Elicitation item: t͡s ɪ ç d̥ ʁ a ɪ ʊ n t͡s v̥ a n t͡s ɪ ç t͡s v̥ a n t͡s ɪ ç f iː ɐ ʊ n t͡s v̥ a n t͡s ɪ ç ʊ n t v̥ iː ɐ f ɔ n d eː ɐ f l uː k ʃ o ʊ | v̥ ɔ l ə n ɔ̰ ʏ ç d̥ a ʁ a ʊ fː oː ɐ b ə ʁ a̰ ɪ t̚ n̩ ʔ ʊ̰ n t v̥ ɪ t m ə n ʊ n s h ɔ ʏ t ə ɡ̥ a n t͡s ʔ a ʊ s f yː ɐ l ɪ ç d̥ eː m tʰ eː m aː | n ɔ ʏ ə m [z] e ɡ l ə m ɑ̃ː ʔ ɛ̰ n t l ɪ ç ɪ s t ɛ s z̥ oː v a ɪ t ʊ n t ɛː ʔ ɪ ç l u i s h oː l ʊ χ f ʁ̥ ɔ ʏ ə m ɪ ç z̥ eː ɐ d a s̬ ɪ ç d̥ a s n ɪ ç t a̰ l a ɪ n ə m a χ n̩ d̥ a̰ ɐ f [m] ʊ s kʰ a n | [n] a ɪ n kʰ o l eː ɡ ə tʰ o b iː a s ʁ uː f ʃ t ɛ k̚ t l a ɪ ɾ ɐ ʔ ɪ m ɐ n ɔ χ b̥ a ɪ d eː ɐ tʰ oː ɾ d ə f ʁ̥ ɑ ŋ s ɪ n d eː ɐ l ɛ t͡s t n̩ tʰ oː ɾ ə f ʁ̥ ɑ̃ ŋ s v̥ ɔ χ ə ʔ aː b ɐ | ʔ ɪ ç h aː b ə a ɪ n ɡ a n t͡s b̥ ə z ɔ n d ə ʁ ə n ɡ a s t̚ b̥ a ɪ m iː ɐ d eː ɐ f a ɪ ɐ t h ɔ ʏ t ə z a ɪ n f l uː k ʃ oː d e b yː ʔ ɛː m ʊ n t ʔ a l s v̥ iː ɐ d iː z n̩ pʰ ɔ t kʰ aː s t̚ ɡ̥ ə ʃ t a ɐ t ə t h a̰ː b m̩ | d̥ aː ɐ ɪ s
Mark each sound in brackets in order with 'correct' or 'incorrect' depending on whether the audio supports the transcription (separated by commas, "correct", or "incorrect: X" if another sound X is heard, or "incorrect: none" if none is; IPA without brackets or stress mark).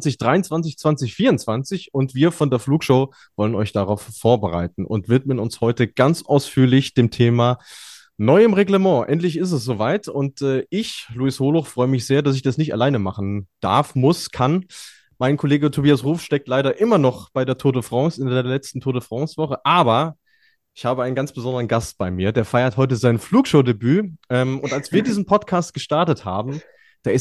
incorrect: ʁ, correct, incorrect: m